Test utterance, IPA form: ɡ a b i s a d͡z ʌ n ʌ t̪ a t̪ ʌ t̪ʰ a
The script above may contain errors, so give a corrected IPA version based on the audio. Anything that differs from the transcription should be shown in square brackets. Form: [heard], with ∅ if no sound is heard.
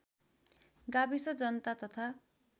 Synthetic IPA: ɡ a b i s [ʌ] d͡z ʌ n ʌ t̪ a t̪ ʌ t̪ʰ a

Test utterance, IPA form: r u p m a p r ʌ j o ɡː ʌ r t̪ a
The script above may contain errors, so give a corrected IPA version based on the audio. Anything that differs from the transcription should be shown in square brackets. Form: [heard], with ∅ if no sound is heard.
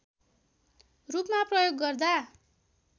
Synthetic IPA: r u p m a p r ʌ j o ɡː ʌ r [d̪] a

